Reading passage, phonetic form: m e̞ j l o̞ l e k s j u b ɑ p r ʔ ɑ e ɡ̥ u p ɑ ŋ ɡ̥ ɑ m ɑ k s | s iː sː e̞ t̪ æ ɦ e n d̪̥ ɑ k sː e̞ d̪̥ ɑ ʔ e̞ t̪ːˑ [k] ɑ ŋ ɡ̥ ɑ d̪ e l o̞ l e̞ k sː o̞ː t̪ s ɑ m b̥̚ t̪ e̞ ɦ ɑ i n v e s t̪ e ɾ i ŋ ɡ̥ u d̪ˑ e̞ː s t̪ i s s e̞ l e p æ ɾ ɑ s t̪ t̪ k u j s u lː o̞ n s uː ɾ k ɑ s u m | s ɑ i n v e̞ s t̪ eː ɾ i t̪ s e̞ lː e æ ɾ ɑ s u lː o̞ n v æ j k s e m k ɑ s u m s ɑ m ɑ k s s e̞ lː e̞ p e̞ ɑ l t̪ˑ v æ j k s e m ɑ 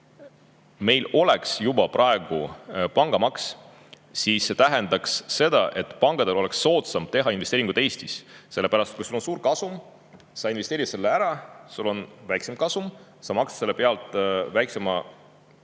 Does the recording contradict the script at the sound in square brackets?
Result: yes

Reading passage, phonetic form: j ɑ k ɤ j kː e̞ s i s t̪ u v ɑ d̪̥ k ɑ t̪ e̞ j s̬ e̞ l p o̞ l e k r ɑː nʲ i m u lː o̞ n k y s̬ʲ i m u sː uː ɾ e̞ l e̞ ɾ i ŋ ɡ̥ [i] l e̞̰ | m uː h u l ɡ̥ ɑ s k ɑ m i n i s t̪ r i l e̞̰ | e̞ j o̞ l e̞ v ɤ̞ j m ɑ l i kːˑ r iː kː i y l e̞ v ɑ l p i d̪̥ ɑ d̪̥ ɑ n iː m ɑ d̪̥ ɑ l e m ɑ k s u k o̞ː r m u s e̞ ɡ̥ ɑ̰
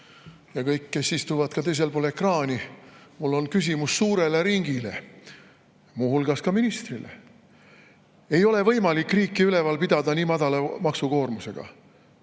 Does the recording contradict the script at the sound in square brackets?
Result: no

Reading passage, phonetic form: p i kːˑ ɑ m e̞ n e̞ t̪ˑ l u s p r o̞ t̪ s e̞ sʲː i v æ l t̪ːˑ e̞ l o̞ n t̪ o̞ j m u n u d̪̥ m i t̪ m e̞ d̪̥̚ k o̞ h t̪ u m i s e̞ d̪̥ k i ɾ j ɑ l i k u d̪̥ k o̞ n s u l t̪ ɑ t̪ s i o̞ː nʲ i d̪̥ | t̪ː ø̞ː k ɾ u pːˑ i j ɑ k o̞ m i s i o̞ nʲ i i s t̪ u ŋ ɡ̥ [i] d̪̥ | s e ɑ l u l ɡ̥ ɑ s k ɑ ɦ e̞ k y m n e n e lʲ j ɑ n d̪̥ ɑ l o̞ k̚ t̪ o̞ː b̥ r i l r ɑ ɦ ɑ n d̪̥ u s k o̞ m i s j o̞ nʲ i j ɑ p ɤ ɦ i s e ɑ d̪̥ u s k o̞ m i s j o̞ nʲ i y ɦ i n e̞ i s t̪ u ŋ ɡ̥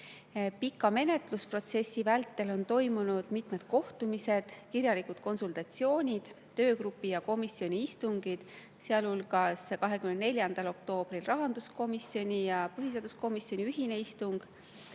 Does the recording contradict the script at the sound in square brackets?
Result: no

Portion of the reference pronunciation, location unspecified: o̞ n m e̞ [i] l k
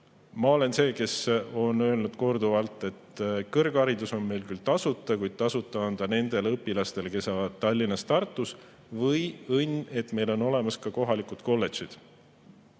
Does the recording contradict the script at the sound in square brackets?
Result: yes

